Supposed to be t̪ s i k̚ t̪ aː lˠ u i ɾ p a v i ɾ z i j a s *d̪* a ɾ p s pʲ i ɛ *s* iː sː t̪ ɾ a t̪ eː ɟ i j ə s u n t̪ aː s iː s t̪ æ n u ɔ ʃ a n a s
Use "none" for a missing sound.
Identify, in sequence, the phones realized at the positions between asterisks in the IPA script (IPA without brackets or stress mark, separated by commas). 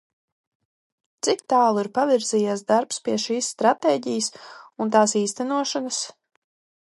d̪, ʃ